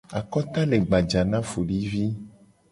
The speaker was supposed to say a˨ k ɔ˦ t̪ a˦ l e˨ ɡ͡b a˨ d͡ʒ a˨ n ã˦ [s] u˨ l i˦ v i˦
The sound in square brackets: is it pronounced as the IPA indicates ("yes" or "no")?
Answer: no